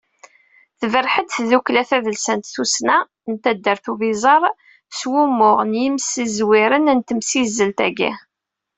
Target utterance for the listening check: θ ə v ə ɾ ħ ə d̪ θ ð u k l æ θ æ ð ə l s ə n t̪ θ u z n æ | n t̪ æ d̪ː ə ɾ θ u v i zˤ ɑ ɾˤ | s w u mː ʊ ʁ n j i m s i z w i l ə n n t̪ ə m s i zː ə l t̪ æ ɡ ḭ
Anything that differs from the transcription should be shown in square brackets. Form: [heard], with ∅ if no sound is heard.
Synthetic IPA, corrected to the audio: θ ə v ə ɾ ħ ə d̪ θ ð u k l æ θ æ ð ə l s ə n t̪ θ u [s] n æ | n t̪ æ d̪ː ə ɾ θ u v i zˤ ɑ ɾˤ | s w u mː ʊ ʁ n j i m s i z w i [ɾ] ə n n t̪ ə m s i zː ə l t̪ æ ɡ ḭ